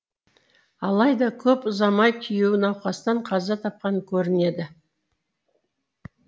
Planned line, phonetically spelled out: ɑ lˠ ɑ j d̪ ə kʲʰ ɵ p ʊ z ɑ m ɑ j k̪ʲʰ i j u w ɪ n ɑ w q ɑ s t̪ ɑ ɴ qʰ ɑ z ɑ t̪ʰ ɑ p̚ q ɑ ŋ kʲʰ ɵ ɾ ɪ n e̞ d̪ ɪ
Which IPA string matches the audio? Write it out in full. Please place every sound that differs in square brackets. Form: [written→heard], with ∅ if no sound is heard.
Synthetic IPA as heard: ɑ lˠ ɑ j d̪ [ə→ɑ] kʲʰ ɵ p ʊ z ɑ m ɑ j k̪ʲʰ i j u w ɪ n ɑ w q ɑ s t̪ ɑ ɴ qʰ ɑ z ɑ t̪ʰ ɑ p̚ q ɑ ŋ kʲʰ ɵ ɾ ɪ n e̞ d̪ ɪ